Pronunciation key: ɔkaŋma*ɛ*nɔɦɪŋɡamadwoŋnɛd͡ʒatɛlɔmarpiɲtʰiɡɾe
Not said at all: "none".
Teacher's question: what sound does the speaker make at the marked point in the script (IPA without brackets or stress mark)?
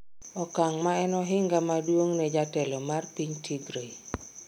ɛ